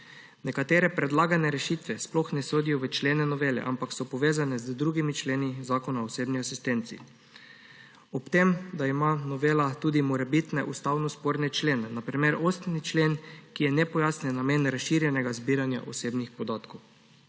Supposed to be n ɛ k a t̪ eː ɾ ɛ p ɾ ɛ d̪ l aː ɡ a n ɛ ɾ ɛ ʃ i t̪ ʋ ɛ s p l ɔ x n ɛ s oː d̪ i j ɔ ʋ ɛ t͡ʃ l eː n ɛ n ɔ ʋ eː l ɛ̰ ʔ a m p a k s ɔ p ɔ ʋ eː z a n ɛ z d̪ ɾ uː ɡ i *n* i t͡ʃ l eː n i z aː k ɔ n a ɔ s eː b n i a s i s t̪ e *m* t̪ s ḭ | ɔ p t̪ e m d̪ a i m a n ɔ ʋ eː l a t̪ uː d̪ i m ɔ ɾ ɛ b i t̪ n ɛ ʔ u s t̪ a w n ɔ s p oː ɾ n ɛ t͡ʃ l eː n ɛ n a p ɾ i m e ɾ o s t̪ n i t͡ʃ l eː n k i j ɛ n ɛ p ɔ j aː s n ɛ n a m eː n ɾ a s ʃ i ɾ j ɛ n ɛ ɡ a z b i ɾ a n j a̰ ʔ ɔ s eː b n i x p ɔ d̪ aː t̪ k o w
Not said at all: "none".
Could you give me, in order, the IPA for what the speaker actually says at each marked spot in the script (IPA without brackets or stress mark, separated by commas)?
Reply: m, n